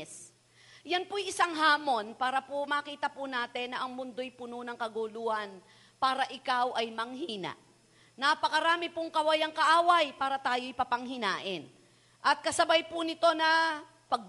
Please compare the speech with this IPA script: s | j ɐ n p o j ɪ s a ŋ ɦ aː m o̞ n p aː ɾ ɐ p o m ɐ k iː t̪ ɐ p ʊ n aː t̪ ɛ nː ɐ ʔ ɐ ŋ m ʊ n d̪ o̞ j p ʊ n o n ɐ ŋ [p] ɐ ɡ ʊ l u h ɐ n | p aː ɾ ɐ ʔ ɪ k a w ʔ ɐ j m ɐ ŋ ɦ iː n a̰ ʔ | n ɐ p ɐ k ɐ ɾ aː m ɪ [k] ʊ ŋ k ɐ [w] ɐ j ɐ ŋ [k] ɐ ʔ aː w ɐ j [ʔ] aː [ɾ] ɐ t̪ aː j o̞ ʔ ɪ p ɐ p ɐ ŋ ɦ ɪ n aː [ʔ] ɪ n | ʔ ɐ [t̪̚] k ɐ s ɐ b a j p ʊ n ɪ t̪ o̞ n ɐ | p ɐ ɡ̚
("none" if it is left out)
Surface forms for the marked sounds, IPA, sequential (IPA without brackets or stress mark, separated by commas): k, p, w, k, p, ɾ, ʔ, t̪̚